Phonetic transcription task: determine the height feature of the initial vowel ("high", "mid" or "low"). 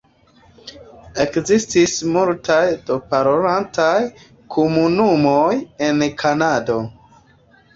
mid